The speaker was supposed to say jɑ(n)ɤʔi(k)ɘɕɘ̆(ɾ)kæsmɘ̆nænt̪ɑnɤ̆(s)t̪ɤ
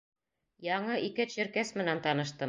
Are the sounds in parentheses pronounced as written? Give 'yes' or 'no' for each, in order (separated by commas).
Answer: no, yes, yes, no